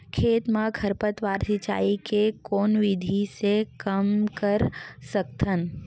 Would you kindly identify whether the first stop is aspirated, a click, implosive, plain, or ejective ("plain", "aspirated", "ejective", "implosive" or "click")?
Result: aspirated